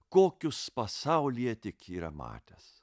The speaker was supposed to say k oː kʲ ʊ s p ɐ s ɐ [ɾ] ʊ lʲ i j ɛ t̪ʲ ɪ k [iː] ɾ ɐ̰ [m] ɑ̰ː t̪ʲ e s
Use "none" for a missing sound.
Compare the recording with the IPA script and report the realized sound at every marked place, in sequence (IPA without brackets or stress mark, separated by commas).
none, iː, m